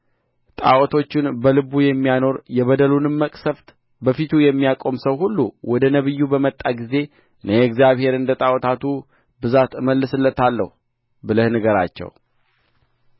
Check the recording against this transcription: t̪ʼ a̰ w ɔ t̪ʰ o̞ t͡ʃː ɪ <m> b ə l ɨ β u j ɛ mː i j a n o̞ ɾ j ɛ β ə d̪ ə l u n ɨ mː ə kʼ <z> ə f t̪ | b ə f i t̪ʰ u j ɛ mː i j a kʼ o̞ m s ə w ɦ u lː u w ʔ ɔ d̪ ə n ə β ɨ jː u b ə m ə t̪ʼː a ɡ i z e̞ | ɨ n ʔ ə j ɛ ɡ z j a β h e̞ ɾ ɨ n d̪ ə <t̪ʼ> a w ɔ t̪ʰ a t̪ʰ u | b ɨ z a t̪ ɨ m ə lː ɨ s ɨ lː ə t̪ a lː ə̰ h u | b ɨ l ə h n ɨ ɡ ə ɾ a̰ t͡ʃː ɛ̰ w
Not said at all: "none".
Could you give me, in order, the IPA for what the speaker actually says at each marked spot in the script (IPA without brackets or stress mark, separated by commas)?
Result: n, s, t̪ʼ